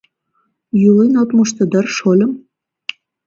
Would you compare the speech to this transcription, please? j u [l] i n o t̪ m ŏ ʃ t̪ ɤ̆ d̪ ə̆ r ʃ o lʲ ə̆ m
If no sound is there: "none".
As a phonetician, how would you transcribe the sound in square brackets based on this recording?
l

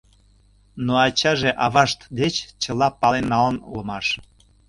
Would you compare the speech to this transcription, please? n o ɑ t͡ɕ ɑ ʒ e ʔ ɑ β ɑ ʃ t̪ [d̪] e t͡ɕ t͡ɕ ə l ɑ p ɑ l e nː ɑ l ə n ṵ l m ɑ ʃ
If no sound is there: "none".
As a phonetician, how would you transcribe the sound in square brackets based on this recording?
d̪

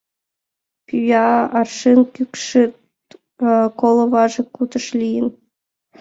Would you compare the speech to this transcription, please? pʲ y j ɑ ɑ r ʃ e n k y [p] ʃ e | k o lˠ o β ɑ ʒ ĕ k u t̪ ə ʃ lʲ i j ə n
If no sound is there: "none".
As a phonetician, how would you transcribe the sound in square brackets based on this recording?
k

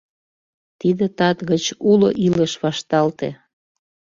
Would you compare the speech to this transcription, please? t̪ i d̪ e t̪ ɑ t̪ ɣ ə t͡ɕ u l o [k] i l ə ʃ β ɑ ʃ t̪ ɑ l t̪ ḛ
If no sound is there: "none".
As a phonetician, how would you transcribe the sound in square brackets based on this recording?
ʔ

